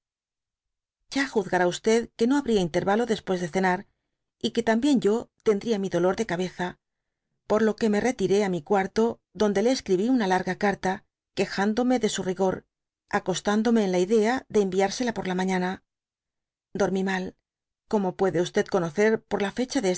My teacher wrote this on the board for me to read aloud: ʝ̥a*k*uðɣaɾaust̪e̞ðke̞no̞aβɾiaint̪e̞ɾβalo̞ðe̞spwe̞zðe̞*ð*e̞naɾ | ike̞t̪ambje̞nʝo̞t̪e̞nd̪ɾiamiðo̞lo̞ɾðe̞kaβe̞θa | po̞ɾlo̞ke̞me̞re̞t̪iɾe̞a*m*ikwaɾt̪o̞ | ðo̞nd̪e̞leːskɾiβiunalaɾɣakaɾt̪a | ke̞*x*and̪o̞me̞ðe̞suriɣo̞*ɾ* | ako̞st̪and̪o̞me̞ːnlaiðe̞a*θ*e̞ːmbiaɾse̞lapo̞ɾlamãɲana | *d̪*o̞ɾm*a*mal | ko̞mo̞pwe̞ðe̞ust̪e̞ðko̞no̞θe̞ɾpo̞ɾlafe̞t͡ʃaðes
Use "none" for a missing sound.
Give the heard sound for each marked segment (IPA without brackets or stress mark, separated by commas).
x, θ, m, x, ɾ, ð, d̪, i